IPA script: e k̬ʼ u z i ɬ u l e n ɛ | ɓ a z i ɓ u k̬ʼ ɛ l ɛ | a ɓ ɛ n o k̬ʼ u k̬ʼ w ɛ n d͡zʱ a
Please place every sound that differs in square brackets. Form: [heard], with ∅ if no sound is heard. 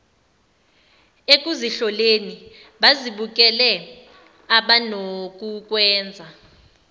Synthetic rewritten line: e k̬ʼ u z i ɬ [ɔ] l e n [i] | ɓ a z i ɓ u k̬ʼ ɛ l ɛ | a ɓ [a] n o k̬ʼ u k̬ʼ w [ɛː] n d͡zʱ a